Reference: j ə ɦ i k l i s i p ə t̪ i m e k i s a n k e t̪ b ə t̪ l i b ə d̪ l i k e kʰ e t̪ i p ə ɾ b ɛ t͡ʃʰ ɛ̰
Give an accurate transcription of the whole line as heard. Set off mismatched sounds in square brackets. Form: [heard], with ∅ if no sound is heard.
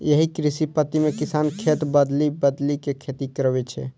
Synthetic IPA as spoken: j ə ɦ i k [ɾ] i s i p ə t̪ i m e k i s a n [kʰ] e t̪ b ə [d̪] l i b ə d̪ l i k e kʰ e t̪ i [k] ə ɾ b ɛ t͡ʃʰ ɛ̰

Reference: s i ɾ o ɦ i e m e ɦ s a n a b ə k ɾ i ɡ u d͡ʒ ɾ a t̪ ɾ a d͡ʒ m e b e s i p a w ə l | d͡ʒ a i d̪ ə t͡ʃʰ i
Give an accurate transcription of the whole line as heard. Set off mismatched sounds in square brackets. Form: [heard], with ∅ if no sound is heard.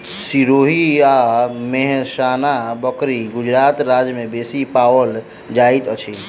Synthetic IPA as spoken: s i ɾ o ɦ i [a] m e ɦ s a n a b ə k ɾ i ɡ u d͡ʒ ɾ a t̪ ɾ a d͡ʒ m e b e s i p a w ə l | d͡ʒ a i [t̪] ə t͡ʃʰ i

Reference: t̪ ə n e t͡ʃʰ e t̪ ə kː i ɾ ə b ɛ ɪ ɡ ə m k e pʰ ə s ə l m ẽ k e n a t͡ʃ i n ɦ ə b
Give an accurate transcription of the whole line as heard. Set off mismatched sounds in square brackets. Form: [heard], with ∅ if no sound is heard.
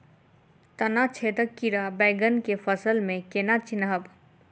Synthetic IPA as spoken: t̪ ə n [a] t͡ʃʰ e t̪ ə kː i ɾ [a] b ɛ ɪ ɡ ə [n] k e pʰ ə s ə l m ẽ k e n a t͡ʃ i n ɦ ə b

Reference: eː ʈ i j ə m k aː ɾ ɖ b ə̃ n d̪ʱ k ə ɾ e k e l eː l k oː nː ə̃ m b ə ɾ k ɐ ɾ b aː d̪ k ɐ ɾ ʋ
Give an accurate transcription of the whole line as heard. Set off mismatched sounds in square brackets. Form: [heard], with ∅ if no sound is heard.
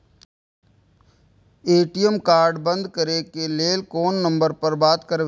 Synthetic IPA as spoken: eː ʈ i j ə m k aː ɾ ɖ b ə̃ n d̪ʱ k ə ɾ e k e l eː l k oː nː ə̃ m b ə ɾ [p] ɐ ɾ b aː [t̪] k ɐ ɾ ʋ

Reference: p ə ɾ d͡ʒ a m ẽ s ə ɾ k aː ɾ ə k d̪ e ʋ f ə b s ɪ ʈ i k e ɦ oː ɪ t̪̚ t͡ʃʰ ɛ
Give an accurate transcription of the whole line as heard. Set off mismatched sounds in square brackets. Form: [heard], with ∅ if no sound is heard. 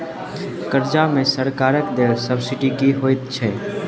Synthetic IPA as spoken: [k] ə ɾ d͡ʒ a m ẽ s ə ɾ k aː ɾ ə k d̪ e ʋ [s] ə b s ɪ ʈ i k [i] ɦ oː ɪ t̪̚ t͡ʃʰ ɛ

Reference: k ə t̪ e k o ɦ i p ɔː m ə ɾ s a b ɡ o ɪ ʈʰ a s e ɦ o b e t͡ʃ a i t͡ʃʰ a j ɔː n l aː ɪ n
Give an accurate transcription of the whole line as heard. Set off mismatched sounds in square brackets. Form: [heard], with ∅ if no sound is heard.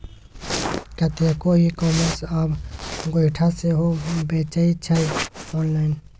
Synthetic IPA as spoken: k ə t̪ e k o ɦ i [k] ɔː m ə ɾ s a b ɡ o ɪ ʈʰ a s e ɦ o b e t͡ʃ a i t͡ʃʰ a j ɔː n l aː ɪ n

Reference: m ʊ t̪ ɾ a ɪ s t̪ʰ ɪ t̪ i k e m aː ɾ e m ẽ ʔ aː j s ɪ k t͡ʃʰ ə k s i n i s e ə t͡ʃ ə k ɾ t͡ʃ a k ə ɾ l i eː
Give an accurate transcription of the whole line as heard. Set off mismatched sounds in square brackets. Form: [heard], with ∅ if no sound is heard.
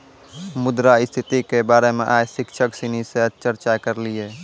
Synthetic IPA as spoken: m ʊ [d̪] ɾ a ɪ s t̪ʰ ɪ t̪ i k e [b] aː ɾ e m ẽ ʔ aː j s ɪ k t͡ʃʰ ə k s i n i s e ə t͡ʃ ə [∅] ɾ t͡ʃ a k ə ɾ l i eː

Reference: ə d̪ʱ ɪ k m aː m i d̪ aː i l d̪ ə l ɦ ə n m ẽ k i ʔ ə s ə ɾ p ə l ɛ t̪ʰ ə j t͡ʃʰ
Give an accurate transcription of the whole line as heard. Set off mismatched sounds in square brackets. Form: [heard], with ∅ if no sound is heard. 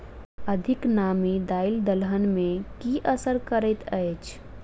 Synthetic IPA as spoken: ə d̪ʱ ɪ k [n] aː m i d̪ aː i l d̪ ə l ɦ ə n m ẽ k i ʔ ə s ə ɾ [k] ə [ɾ] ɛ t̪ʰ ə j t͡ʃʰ

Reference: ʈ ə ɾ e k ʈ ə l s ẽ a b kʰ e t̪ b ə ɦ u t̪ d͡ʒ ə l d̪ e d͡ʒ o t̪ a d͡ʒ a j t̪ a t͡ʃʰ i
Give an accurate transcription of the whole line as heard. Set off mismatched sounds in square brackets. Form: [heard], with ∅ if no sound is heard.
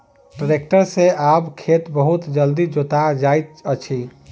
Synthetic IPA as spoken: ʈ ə ɾ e k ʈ ə [ɾ] s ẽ a b kʰ e t̪ b ə ɦ u t̪ d͡ʒ ə l d̪ [i] d͡ʒ o t̪ a d͡ʒ a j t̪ [ə] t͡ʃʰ i

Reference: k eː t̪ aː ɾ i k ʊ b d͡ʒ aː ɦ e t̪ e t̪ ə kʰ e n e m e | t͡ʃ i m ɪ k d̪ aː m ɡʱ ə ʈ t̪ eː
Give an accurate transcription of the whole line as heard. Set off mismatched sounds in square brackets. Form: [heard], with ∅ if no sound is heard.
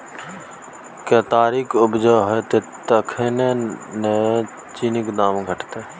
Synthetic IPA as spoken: k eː t̪ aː ɾ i k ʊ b d͡ʒ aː ɦ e t̪ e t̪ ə kʰ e n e [n] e | t͡ʃ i [n] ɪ k d̪ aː m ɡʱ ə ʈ t̪ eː

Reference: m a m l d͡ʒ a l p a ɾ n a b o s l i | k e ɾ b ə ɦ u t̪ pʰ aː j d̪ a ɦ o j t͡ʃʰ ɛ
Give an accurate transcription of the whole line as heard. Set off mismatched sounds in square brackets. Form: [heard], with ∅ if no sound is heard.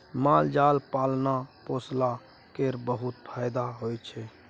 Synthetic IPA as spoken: m a [∅] l d͡ʒ a l p a [l] n a [p] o s l [a] | k e ɾ b ə ɦ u t̪ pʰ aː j d̪ a ɦ o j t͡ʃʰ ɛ

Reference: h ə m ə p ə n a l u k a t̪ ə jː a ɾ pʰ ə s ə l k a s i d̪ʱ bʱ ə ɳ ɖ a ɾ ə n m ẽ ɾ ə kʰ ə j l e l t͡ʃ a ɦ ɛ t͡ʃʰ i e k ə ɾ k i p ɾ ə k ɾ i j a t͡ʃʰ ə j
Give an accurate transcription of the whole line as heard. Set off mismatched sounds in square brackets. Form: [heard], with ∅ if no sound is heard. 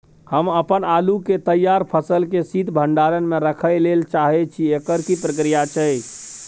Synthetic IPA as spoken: h ə m ə p ə n a l u k [e] t̪ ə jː a ɾ pʰ ə s ə l k [e] s i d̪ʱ bʱ ə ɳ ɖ a ɾ ə n m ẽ ɾ ə kʰ ə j l e l t͡ʃ a ɦ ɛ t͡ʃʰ i e k ə ɾ k i p ɾ ə k ɾ i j a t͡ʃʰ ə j

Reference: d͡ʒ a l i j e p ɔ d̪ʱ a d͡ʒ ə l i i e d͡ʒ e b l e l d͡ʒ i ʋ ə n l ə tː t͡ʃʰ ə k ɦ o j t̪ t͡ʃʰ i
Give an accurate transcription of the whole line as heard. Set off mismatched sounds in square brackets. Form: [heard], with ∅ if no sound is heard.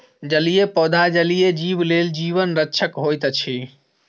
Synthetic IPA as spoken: d͡ʒ [ə] l i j e p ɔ d̪ʱ a d͡ʒ ə l i [j] e d͡ʒ [i] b l e l d͡ʒ i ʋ ə n [ɾ] ə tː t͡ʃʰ ə k ɦ o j t̪ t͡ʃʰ i

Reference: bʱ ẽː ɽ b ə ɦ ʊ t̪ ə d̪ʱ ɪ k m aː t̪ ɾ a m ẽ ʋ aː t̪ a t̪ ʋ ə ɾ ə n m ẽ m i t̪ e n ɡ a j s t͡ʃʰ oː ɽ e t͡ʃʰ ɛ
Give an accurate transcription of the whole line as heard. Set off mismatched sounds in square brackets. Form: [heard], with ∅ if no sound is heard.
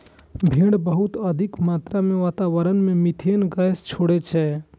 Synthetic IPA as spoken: bʱ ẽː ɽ b ə ɦ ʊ t̪ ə d̪ʱ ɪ k m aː t̪ ɾ a m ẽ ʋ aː t̪ a [∅] ʋ ə ɾ ə n m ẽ m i [t̪ʰ] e n ɡ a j s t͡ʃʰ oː ɽ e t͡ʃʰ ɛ

